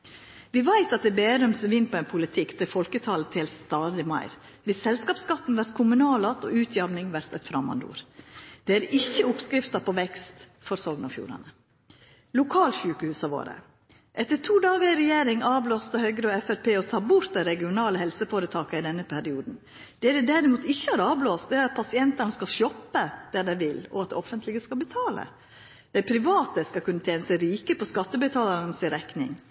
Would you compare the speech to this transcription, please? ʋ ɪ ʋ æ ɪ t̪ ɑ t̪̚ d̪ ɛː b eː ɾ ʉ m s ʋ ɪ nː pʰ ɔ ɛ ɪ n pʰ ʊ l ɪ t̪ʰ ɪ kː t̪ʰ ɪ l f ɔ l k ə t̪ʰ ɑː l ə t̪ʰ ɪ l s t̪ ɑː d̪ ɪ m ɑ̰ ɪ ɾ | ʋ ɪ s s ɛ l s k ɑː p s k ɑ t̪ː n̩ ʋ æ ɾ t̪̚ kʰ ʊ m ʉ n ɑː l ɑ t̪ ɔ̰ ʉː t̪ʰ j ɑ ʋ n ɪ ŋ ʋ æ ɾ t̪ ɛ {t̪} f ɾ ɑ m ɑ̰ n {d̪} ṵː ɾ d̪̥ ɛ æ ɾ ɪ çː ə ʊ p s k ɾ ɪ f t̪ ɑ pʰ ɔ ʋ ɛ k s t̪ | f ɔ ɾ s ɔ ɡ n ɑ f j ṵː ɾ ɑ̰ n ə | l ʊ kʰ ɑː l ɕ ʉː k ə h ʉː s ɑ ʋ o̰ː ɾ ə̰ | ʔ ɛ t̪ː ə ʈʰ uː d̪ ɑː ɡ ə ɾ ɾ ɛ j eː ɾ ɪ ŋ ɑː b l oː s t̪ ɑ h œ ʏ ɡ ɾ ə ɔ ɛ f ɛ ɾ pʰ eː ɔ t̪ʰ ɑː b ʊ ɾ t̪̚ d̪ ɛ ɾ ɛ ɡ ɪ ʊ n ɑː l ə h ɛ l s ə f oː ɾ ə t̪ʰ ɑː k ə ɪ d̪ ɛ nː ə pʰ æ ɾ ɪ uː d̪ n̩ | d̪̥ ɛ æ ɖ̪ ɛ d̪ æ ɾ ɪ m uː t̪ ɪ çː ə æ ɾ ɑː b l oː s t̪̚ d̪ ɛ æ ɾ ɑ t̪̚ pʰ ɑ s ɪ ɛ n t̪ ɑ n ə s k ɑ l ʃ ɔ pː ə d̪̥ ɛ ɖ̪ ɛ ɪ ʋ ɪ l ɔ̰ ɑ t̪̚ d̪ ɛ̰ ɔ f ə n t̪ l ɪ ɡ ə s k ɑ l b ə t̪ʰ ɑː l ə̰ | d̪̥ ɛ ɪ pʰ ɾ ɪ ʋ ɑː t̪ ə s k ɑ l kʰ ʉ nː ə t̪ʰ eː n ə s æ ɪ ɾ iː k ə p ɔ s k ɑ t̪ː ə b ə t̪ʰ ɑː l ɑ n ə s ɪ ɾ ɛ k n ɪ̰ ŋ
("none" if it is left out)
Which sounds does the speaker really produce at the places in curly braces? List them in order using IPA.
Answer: t̪, d̪

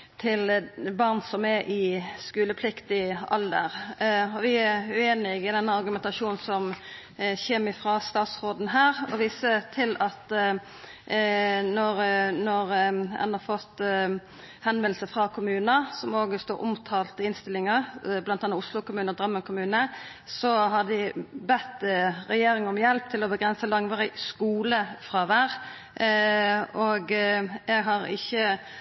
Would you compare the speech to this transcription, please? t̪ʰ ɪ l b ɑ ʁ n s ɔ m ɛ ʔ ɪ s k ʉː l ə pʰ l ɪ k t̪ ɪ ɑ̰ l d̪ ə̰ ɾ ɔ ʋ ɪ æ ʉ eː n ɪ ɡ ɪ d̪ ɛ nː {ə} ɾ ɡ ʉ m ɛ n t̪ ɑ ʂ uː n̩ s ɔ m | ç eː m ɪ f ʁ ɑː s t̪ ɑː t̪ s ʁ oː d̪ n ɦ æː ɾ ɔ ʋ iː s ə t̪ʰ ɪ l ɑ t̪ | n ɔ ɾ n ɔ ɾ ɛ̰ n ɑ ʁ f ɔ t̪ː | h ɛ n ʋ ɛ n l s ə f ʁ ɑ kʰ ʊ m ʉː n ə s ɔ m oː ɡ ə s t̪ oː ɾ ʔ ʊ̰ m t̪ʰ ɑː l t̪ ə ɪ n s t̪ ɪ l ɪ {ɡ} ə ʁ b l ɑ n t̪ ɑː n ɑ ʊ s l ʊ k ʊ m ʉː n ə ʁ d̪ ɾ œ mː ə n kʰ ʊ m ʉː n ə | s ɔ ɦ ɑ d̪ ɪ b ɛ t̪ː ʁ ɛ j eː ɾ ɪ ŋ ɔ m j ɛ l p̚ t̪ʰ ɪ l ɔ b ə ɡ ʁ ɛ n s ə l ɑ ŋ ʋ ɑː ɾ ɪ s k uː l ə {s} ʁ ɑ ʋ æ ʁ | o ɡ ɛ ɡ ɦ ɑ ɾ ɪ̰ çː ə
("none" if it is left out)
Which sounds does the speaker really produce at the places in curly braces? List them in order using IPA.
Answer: ɑ, ŋ, f

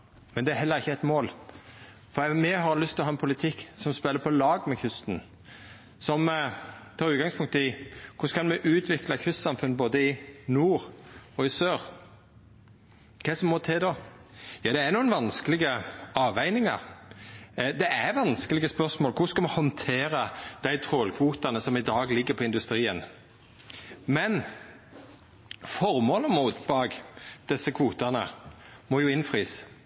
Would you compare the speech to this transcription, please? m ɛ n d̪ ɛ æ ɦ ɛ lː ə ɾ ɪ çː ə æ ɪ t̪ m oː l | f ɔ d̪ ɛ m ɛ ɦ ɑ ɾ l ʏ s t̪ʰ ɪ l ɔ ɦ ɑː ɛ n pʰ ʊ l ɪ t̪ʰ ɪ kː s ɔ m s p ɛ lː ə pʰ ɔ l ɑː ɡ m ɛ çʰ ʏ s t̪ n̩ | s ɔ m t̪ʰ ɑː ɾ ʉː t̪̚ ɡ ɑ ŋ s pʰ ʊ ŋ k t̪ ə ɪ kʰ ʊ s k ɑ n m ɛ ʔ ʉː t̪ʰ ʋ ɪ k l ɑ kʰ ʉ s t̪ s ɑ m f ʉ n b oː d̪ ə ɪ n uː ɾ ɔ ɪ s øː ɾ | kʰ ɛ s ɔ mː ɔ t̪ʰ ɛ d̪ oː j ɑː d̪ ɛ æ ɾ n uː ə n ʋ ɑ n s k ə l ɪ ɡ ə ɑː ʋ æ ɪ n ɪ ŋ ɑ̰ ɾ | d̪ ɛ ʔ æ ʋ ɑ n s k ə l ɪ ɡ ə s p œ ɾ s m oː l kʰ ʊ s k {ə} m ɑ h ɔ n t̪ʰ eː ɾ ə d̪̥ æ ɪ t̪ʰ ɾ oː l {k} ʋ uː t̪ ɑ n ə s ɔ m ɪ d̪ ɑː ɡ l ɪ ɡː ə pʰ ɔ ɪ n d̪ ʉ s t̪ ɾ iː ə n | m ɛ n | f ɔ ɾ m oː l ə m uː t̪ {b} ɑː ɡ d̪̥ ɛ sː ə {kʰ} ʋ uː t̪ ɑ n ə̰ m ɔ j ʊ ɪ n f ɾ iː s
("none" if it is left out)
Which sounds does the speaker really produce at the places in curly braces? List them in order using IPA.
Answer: ɑ, kʰ, b, kʰ

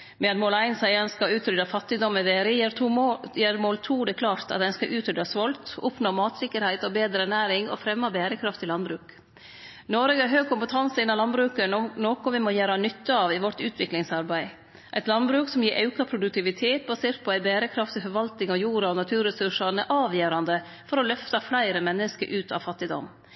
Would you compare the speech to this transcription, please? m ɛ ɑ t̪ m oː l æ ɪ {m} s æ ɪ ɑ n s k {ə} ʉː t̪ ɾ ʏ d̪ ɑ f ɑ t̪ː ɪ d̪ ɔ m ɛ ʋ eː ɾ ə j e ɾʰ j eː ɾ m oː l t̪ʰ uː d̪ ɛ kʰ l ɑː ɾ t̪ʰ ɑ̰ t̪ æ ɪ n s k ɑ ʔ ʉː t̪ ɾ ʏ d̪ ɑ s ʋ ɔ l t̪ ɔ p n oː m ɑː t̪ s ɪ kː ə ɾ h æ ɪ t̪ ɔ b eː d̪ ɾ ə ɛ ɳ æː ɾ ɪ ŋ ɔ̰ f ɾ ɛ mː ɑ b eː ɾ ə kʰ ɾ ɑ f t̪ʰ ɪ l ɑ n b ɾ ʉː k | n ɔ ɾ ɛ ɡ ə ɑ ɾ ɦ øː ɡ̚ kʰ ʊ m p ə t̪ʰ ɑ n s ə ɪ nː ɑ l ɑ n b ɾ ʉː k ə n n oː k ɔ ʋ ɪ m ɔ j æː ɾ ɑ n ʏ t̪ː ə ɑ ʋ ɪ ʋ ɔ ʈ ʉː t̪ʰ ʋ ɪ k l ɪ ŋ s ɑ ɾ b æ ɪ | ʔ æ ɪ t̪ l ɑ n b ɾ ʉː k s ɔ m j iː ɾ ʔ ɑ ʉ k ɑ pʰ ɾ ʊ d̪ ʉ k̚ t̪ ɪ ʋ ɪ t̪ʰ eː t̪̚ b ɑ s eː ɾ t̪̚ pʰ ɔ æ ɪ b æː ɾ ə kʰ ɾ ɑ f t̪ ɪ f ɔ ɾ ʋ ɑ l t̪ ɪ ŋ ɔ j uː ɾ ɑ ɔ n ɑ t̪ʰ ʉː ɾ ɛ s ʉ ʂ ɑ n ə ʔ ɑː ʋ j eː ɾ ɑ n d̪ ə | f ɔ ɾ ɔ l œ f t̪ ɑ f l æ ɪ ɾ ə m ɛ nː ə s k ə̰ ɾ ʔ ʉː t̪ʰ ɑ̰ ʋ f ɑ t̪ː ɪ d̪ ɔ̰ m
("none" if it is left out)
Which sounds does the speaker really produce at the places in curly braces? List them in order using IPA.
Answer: n, ɑ

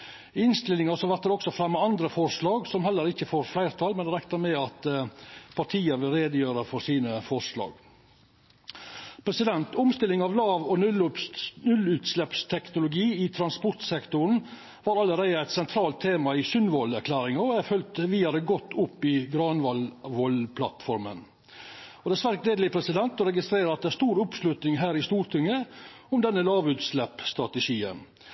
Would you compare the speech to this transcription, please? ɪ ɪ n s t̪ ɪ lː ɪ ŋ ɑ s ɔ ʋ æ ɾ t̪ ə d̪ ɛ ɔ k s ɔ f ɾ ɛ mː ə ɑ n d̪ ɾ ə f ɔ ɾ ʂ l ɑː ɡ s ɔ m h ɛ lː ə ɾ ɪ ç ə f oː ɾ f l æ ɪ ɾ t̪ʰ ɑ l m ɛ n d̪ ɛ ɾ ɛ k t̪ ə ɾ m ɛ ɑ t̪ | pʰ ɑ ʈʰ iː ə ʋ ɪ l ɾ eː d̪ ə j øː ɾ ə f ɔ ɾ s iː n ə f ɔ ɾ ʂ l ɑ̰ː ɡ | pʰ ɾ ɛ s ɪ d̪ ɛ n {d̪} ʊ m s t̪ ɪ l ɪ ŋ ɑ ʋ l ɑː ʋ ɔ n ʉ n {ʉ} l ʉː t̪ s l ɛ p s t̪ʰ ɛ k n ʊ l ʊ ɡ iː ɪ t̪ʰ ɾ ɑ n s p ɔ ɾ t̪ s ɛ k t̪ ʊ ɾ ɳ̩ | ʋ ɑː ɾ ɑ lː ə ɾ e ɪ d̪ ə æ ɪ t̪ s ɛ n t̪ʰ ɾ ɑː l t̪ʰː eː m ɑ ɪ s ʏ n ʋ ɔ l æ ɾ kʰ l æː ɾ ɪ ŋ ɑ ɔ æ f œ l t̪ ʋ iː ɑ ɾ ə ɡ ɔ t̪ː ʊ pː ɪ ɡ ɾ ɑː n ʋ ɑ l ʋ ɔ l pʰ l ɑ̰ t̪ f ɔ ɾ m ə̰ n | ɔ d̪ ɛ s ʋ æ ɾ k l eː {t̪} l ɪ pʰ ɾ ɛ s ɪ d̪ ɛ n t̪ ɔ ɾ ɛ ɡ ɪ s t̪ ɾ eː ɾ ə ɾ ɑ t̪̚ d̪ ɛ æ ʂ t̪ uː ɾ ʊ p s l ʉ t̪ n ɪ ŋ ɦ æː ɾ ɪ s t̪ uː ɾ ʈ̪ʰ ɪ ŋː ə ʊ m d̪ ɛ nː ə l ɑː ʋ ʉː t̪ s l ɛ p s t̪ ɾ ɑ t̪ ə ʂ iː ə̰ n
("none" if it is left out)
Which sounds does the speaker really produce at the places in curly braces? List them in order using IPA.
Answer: t̪, ʉ, d̪

